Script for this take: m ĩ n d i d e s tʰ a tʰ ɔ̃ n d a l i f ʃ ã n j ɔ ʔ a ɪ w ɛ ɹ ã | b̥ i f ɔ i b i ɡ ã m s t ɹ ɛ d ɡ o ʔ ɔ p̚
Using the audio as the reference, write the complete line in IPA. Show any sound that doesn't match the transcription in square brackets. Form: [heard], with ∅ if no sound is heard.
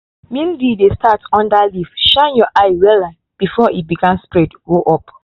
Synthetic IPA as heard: m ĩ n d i d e s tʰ a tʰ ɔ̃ n d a l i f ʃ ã n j ɔ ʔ a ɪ w ɛ [l] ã | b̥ i f ɔ i b i ɡ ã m s [p] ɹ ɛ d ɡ o ʔ ɔ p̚

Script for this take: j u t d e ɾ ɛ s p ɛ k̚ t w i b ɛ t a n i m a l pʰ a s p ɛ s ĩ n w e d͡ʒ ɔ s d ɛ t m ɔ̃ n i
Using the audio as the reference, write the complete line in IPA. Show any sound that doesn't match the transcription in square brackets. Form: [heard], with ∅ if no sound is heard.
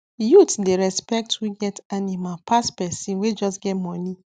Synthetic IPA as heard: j u t d e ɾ ɛ s p ɛ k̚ t w i [ɡ] ɛ t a n i m a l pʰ a s p ɛ s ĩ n w e d͡ʒ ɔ s [ɡ] ɛ t m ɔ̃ n i

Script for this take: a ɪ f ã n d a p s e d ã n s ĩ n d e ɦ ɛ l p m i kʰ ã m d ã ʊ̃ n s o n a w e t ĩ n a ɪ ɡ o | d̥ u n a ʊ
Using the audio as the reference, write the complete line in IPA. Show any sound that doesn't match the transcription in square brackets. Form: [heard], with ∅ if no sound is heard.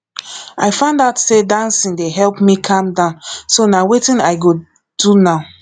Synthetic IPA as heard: a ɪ f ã n d a [t] s e d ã n s ĩ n d e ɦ ɛ l p m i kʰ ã m d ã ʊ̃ n s o n a w e t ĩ n a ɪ ɡ o | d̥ u n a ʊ

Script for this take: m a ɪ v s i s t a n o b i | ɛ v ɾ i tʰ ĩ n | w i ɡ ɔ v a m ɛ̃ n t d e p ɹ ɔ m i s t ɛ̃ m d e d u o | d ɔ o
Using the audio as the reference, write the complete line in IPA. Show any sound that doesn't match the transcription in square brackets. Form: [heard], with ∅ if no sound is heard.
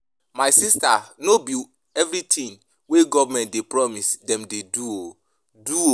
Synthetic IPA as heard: m a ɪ [∅] s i s t a n o b i | ɛ v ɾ i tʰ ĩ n | w [e] ɡ ɔ v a m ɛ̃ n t d e p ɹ ɔ m i s [d] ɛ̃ m d e d u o | d [u] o

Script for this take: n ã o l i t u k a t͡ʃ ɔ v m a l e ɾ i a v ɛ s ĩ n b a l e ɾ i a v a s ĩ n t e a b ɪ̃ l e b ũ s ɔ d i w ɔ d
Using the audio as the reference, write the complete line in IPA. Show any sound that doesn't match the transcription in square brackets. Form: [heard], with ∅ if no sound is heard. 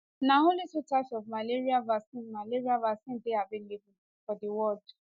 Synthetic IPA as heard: n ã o l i t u [t] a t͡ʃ ɔ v m a l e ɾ i a v [a] s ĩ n [m] a l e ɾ i a v a s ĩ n [d] e a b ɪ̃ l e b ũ [f] ɔ d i w ɔ d

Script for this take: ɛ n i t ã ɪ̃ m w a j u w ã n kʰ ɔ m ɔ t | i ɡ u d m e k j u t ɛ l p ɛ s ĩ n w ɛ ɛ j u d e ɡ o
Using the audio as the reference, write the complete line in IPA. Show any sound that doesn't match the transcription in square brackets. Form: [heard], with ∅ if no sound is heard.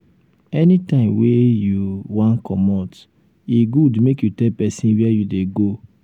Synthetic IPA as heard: ɛ n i t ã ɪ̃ m w [e] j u w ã n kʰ ɔ m ɔ t | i ɡ u d m e k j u t ɛ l p ɛ s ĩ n w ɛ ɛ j u d e ɡ o

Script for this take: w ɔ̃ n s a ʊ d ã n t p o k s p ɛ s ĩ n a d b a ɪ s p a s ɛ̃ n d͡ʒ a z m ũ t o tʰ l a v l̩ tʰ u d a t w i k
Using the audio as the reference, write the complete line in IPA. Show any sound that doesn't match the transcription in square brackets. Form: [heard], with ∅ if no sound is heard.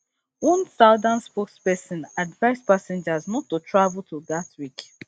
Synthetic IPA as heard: w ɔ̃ n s a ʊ d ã n [s] p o k s p ɛ s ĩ n a d [v] a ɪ s p a s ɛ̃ n d͡ʒ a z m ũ t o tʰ [ɹ] a v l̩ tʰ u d a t w i k

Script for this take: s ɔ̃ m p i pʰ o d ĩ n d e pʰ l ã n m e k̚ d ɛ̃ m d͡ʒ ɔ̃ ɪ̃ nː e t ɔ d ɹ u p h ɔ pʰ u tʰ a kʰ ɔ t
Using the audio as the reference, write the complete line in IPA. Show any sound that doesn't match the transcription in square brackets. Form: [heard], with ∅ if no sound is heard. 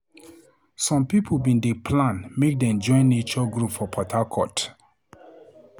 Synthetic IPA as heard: s ɔ̃ m p i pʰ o [b] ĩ n d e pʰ l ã n m e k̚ d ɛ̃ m d͡ʒ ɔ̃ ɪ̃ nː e [t͡ʃ] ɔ [ɡ] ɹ u p [f] ɔ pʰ [ɔ] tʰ a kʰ ɔ t

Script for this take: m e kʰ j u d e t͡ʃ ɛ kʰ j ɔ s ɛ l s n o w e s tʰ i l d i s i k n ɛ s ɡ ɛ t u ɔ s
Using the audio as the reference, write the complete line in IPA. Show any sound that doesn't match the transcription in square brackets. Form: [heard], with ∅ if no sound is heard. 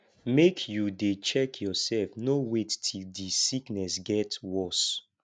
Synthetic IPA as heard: m e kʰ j u d e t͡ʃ ɛ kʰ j ɔ s ɛ l [f] n o w e [t] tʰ i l d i s i k n ɛ s ɡ ɛ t [w] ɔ s

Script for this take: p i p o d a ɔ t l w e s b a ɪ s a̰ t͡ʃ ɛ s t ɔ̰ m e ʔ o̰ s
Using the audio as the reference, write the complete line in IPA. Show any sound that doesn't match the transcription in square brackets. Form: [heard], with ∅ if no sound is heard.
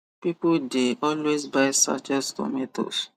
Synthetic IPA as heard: p i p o d [e] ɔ [∅] l w e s b a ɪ s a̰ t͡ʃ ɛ s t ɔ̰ m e [t] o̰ s

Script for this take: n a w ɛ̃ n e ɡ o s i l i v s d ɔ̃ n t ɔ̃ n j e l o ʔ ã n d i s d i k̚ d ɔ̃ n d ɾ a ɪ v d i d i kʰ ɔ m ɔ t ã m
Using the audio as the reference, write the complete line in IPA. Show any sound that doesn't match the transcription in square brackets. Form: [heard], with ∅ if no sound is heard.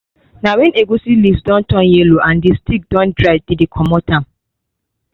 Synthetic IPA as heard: n a w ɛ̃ n e ɡ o s i l i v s d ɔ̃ n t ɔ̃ n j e l o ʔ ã n d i s [t] i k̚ d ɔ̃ n d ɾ a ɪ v d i d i kʰ ɔ m ɔ t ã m

